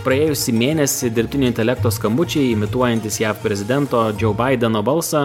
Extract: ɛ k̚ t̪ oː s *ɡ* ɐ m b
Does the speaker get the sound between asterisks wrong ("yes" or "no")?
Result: yes